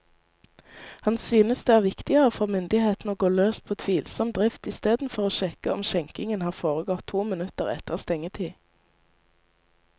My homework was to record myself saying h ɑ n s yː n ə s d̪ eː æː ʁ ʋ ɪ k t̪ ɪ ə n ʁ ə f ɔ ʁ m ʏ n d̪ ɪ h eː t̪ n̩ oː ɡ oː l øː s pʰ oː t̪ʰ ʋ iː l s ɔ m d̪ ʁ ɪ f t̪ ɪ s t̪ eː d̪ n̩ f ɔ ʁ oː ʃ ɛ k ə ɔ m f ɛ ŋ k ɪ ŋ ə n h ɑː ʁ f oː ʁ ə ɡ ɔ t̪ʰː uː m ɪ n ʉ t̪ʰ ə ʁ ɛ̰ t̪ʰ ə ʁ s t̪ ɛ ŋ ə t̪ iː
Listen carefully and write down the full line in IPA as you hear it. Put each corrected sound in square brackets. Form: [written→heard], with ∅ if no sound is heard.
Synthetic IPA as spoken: h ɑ n s yː n ə s d̪ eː æː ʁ ʋ ɪ k t̪ ɪ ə [n→∅] ʁ ə f ɔ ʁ m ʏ n d̪ ɪ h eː t̪ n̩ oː ɡ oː l øː s pʰ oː t̪ʰ ʋ iː l s ɔ m d̪ ʁ ɪ f t̪ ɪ s t̪ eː d̪ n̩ f ɔ ʁ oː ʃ ɛ k ə ɔ m [f→ʃ] ɛ ŋ k ɪ ŋ ə n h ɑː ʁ f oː ʁ ə ɡ ɔ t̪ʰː uː m ɪ n ʉ [t̪ʰ→t̪] ə ʁ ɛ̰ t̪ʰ ə ʁ s t̪ ɛ ŋ ə [t̪→t̪ʰ] iː